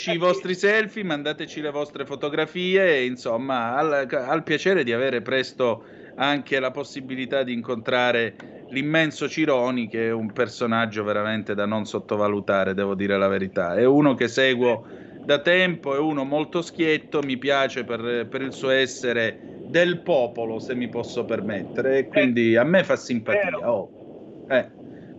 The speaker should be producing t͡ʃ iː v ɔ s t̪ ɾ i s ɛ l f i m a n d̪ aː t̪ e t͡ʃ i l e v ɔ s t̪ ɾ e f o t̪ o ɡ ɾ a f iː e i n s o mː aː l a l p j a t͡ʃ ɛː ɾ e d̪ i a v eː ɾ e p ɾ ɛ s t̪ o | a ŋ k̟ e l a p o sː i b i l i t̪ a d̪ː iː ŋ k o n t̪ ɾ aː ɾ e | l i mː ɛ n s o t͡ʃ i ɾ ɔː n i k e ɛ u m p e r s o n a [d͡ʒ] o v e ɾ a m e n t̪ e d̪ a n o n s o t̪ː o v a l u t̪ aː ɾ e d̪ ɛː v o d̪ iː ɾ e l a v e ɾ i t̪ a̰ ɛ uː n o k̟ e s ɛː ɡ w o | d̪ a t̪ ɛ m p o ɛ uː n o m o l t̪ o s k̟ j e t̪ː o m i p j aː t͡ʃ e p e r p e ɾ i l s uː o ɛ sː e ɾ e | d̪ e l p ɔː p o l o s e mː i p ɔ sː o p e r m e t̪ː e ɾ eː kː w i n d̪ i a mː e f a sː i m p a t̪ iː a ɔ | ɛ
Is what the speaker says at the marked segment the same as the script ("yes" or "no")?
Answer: no